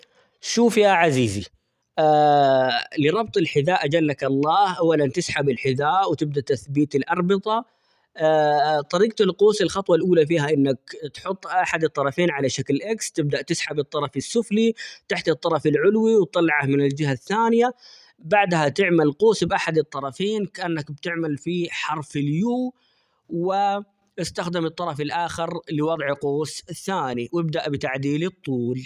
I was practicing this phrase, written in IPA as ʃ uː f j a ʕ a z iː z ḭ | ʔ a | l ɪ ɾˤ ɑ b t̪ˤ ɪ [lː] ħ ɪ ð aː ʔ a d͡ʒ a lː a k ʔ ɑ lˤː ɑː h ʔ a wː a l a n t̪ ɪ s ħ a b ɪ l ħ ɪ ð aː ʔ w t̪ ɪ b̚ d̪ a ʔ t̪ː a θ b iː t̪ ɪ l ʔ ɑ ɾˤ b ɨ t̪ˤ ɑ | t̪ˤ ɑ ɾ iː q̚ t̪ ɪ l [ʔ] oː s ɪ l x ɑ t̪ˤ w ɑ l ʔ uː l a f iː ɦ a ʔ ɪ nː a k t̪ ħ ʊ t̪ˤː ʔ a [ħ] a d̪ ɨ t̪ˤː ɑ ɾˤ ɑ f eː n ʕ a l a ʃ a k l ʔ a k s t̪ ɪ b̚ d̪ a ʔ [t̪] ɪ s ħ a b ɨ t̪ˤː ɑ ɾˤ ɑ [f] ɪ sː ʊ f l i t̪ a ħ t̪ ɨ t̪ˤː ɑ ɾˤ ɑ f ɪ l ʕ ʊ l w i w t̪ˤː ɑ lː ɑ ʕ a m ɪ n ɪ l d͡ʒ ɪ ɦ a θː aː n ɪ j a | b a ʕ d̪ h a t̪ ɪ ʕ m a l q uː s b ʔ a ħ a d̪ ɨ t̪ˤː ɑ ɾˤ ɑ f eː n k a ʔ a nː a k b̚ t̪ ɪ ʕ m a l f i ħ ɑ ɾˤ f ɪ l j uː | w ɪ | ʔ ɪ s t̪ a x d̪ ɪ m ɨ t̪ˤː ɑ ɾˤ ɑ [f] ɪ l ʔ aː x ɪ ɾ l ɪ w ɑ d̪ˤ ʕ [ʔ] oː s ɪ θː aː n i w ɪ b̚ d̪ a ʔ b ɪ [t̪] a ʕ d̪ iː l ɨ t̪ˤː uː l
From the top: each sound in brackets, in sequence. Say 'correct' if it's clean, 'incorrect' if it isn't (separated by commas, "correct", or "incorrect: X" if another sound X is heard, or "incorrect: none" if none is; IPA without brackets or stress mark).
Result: incorrect: l, incorrect: q, correct, correct, correct, correct, incorrect: q, correct